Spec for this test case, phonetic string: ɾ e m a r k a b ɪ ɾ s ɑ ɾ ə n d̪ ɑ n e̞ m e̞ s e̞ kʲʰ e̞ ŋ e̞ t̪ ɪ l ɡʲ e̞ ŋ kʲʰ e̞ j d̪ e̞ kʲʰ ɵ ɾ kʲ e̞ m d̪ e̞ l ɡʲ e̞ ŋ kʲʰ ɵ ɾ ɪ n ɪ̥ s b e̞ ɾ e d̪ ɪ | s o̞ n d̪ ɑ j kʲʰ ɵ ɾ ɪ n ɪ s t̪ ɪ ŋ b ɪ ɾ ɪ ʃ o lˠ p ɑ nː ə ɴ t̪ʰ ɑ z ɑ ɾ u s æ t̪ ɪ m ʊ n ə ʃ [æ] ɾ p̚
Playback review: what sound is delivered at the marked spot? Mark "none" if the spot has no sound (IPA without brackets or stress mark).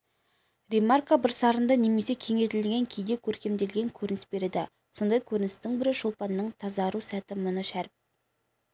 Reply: æ